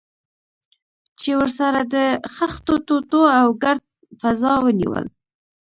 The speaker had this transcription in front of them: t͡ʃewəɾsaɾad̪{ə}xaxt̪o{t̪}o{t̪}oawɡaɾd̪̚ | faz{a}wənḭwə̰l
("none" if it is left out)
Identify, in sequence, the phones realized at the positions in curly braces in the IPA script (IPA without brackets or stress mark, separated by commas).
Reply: ə, t̪, t̪, ɑ